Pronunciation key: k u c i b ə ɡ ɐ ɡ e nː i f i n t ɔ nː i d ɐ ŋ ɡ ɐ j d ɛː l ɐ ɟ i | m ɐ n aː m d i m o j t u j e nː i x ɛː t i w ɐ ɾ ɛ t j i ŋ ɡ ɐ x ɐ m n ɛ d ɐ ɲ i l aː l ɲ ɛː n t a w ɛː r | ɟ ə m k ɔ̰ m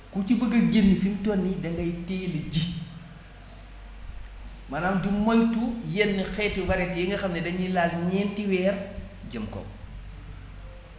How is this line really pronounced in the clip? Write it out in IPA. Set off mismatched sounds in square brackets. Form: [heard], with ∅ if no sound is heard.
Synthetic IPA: k u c i b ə ɡ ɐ ɡ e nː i f i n t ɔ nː i d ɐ ŋ ɡ ɐ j [t] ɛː l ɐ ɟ i | m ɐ n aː m d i m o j t u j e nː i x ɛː t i w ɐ ɾ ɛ t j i ŋ ɡ ɐ x ɐ m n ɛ d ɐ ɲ i l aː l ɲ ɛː n t [i] w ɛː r | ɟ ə m k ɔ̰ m